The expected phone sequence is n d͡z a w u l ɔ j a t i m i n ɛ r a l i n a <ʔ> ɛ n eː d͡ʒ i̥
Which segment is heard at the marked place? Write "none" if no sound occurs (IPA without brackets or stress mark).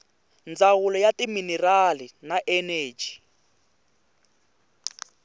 ʔ